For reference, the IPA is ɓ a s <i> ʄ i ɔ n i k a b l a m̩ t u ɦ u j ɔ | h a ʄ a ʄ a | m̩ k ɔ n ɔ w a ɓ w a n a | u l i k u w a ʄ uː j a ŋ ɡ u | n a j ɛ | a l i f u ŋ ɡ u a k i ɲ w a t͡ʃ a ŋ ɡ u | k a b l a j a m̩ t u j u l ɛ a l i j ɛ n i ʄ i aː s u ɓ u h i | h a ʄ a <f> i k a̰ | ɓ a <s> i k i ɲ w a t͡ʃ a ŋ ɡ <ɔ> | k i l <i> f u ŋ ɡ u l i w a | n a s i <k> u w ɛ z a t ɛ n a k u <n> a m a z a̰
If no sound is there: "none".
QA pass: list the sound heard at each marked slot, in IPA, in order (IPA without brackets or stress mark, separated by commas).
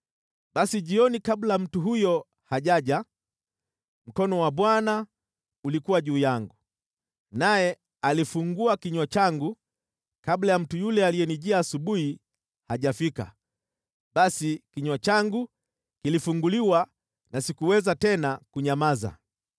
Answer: i, f, s, u, i, k, ɲ